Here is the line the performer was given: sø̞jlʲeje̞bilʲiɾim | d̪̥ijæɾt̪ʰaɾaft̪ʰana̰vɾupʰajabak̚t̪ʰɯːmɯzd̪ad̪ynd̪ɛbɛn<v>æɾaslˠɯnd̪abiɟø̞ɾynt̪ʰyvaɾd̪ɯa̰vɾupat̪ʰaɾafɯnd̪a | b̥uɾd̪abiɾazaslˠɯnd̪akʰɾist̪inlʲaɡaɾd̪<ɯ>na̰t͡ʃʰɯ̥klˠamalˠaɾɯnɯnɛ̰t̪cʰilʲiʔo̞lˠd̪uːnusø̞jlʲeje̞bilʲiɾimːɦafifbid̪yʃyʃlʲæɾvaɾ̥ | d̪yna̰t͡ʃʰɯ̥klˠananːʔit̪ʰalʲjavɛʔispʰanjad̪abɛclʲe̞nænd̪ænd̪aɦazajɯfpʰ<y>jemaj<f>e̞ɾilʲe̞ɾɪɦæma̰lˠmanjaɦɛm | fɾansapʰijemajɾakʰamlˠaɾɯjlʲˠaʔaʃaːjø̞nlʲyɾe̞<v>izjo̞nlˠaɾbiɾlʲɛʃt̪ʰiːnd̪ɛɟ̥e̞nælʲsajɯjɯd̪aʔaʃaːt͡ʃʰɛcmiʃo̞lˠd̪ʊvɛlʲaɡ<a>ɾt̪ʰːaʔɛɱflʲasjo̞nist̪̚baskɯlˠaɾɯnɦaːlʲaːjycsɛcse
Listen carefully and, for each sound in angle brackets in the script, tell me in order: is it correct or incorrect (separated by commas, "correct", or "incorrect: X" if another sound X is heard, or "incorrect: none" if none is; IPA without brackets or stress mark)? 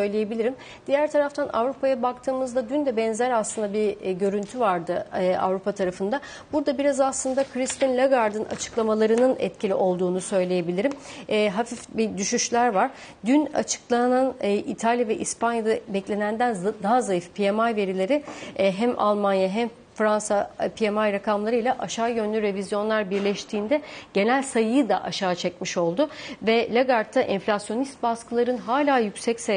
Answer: incorrect: z, correct, incorrect: i, incorrect: v, correct, correct